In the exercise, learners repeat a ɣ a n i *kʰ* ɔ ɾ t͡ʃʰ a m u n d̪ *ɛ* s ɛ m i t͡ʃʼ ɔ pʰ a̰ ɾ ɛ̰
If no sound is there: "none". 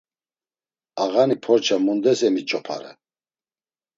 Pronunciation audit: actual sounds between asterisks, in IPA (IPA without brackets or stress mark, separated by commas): pʰ, ɛ